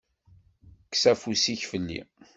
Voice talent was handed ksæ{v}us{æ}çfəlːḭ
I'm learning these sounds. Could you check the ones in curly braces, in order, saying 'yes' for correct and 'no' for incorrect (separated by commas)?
no, no